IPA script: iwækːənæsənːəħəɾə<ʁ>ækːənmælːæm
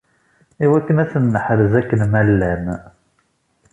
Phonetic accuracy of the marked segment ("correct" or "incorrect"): incorrect